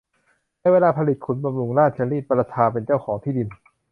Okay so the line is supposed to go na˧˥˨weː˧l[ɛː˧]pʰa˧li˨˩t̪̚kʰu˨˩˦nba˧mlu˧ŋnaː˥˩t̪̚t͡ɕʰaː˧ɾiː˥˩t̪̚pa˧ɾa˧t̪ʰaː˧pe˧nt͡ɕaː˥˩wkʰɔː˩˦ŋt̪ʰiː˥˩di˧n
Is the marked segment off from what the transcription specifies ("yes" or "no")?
yes